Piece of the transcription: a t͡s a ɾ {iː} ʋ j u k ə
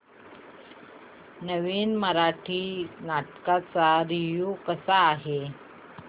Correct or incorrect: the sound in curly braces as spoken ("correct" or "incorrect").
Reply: incorrect